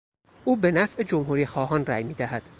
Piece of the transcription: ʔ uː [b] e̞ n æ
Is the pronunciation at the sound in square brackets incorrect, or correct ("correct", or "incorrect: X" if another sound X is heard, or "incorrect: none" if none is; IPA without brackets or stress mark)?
correct